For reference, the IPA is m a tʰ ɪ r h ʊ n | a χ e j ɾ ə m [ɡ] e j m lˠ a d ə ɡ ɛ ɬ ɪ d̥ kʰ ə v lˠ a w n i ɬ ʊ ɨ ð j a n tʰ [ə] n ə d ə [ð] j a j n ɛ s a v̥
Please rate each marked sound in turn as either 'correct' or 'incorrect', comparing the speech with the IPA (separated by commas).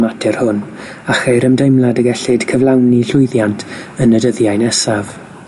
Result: incorrect, correct, correct